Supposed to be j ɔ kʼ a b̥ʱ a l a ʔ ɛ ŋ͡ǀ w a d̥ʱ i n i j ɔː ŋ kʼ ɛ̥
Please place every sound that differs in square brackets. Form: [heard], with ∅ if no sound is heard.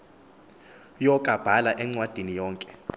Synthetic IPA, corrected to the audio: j ɔ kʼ a b̥ʱ a l a ʔ ɛ ŋ͡ǀ w a d̥ʱ i n i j ɔː ŋ kʼ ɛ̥